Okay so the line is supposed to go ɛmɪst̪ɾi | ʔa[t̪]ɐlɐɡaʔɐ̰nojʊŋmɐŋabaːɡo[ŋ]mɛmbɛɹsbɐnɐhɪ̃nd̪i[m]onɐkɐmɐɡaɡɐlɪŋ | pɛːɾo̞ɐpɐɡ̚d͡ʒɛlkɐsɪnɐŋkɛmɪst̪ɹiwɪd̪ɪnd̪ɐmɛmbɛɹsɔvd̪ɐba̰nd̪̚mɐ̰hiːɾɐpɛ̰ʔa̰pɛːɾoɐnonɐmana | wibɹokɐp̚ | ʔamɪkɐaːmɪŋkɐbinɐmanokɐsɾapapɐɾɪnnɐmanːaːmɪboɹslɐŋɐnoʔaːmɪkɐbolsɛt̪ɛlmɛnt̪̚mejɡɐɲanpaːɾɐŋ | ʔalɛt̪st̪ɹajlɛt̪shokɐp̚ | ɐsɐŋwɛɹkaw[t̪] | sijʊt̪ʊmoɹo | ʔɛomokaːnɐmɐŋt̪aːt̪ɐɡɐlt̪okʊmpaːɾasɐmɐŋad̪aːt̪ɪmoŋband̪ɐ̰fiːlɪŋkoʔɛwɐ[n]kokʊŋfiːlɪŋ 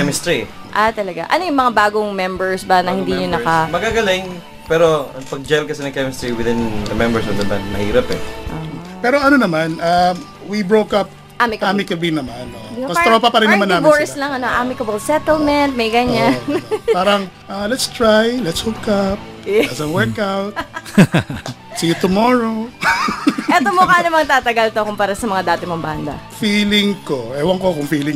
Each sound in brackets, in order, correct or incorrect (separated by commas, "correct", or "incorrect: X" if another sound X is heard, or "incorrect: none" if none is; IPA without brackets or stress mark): correct, correct, incorrect: ɲ, correct, incorrect: ŋ